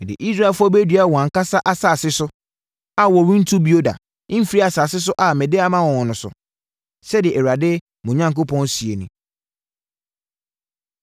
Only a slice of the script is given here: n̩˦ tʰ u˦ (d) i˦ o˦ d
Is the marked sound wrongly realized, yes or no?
yes